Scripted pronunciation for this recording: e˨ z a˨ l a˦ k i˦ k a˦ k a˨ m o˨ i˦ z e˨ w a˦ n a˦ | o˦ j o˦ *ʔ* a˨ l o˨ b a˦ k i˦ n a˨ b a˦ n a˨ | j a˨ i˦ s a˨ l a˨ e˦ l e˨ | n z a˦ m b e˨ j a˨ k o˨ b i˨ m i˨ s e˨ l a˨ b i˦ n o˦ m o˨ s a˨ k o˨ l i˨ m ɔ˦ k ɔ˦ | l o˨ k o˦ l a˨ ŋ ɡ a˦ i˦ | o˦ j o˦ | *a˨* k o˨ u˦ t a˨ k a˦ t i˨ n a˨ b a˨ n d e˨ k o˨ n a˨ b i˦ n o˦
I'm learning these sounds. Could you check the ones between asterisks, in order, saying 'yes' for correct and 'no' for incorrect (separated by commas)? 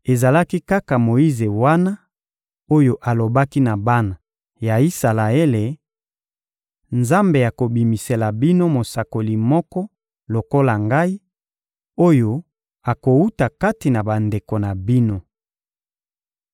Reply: yes, yes